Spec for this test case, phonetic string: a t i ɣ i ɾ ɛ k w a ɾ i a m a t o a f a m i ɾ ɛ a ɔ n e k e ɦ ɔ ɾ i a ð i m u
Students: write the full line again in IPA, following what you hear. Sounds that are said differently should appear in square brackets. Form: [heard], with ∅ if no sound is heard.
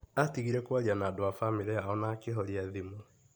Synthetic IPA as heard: a t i ɣ i ɾ ɛ k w a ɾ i a [n] a [d] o a f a m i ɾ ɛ a ɔ n [a] k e ɦ ɔ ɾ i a ð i m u